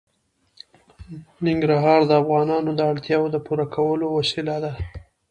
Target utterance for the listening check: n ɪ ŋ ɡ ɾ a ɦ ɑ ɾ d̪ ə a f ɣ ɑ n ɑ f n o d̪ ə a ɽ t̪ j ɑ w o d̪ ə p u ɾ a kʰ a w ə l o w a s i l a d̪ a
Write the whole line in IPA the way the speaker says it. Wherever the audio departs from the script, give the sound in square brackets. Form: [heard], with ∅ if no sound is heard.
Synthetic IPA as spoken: n ɪ ŋ ɡ ɾ a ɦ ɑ ɾ d̪ ə a f ɣ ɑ n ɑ [∅] n o d̪ ə a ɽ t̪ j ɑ w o d̪ ə p u ɾ a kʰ a w ə l o w a s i l a d̪ a